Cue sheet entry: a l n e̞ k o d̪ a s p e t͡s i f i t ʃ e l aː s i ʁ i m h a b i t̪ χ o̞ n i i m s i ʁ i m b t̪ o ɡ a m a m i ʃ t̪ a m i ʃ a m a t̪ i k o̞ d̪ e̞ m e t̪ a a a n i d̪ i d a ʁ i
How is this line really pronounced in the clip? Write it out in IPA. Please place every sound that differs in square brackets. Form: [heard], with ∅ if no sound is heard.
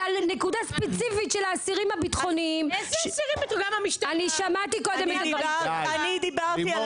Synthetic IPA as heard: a l n e̞ k [u] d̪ a s p e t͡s i f i t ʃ e l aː s i ʁ i m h a b i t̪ χ o̞ n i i m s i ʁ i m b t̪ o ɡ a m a m i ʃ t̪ a [n] i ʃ a m a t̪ i k o̞ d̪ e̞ m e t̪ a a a n i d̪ i [b] a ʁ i